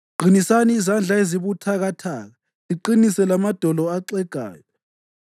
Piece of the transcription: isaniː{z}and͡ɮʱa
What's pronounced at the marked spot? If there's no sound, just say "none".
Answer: z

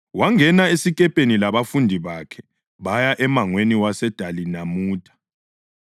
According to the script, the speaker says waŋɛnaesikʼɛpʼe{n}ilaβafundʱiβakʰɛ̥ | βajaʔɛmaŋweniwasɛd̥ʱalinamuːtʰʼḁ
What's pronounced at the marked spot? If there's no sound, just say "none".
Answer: n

